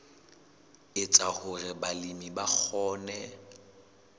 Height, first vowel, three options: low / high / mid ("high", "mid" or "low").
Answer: high